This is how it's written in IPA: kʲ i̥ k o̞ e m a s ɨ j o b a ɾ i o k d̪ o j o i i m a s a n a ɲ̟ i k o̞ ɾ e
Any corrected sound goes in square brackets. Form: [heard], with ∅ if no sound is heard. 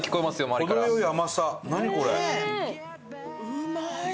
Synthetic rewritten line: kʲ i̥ k o̞ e m a s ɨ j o [m] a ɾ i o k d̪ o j o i [a] m a s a n a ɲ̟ i k o̞ ɾ e